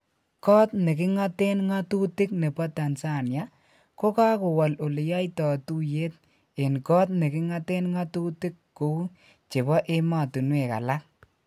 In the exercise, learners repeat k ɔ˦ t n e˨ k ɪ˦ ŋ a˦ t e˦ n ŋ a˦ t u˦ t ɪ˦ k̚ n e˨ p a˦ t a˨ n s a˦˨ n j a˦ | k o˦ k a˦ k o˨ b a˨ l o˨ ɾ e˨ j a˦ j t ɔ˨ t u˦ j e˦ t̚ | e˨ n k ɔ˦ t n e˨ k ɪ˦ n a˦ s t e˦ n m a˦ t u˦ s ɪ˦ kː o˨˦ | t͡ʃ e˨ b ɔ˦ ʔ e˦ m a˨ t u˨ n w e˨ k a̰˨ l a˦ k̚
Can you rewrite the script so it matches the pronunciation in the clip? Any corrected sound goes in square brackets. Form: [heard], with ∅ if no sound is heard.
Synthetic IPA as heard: k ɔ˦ t n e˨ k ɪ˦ ŋ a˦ t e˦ n ŋ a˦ t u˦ t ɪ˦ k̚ n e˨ p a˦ t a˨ n s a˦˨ n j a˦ | k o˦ k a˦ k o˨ [w] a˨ l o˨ [l] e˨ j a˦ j t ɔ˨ t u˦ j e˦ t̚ | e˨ n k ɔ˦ t n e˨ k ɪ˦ [ŋ] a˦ [∅] t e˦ n [ŋ] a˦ t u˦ [t] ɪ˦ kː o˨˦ | t͡ʃ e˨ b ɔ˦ ʔ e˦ m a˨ t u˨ n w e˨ k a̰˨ l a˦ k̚